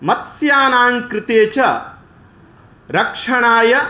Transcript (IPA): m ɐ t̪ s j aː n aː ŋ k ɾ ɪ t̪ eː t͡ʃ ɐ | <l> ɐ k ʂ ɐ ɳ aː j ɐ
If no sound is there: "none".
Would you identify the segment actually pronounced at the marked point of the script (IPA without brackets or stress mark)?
ɾ